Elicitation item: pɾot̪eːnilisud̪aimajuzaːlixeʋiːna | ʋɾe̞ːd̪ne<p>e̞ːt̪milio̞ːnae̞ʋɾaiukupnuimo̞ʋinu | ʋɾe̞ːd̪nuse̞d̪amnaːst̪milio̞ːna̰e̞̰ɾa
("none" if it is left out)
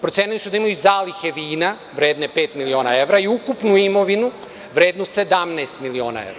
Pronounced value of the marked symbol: p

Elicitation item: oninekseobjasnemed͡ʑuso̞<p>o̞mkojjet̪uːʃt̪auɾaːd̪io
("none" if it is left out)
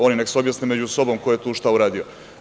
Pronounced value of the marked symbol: b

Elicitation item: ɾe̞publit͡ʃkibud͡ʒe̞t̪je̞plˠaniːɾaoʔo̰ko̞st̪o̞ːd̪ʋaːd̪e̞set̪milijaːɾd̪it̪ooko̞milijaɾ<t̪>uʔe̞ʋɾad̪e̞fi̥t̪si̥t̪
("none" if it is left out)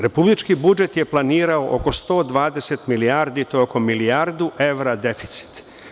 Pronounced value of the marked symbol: d̪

